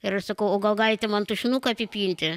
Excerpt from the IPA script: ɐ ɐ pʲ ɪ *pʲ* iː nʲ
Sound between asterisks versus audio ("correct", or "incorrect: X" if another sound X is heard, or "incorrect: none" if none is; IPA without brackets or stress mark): correct